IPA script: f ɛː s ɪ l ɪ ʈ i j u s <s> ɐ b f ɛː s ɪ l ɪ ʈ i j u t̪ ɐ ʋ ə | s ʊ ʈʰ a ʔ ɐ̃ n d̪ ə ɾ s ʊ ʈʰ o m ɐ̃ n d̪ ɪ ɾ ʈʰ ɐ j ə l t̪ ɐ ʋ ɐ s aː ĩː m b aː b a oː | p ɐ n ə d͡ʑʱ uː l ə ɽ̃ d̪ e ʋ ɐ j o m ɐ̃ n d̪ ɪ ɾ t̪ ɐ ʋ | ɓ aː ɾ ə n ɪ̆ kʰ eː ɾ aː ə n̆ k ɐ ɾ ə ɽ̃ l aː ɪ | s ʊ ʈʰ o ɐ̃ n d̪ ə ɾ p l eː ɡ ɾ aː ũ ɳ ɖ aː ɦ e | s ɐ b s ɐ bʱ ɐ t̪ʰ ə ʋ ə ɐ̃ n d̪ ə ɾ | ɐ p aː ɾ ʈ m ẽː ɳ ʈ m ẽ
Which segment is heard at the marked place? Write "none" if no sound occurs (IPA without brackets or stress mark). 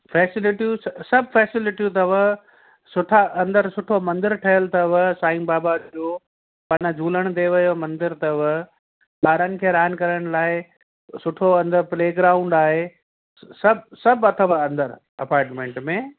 s